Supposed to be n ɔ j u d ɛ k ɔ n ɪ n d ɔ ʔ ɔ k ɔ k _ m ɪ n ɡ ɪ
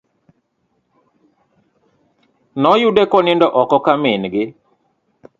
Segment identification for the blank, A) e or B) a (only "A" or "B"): B